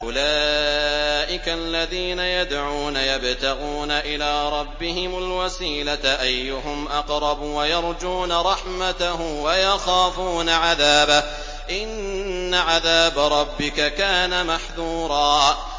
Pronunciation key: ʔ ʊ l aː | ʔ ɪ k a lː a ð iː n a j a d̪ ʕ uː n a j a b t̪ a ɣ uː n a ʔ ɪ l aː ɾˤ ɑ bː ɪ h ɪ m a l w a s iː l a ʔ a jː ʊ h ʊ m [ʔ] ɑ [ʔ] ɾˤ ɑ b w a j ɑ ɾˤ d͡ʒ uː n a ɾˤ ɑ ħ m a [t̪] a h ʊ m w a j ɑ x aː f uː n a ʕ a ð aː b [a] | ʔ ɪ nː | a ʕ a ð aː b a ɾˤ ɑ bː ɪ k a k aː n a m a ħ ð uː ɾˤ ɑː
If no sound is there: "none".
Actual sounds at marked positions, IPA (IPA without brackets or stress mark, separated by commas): ʔ, q, t̪, a